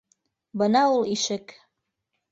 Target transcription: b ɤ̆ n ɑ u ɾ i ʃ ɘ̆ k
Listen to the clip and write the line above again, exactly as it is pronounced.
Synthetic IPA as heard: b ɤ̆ n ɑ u l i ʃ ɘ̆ k

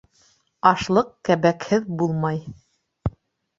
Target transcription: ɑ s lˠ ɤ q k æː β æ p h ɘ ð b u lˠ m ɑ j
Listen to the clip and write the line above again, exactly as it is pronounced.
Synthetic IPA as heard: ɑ ʃ lˠ ɤ q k æ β æ k h ɘ ð b u lˠ m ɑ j

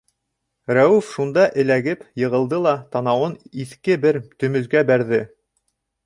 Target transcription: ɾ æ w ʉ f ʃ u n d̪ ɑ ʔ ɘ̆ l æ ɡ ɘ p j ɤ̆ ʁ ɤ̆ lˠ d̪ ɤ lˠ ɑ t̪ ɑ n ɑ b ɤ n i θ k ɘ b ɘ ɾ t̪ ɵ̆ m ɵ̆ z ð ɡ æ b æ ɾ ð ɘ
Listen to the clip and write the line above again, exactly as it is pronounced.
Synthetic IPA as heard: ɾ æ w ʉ f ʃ u n d̪ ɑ ʔ ɘ̆ l æ ɡ ɘ p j ɤ̆ ʁ ɤ̆ lˠ d̪ ɤ lˠ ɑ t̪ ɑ n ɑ w ɤ n i θ k ɘ b ɘ ɾ t̪ ɵ̆ m ɵ̆ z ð ɡ æ b æ ɾ ð ɘ

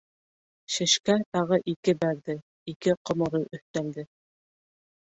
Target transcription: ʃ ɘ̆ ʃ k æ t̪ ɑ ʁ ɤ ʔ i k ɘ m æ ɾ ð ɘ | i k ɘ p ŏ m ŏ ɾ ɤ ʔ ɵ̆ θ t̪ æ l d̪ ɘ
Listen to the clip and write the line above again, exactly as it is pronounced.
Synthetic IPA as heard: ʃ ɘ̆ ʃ k æ t̪ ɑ ʁ ɤ ʔ i k ɘ b æ ɾ ð ɘ | i k ɘ q ŏ m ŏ ɾ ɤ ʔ ɵ̆ θ t̪ æ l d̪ ɘ

